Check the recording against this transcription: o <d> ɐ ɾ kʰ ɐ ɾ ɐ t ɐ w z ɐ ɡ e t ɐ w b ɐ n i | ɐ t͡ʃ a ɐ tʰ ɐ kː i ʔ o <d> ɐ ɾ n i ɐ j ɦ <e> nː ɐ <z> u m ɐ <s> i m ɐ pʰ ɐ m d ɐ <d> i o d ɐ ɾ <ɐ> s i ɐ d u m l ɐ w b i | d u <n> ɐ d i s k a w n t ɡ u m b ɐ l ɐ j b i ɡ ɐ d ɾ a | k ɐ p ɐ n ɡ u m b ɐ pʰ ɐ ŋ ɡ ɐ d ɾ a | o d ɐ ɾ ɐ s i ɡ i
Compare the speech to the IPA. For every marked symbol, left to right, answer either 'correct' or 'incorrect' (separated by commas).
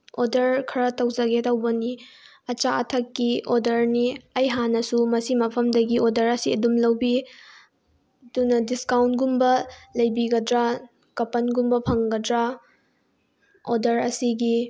correct, correct, incorrect, incorrect, correct, incorrect, correct, correct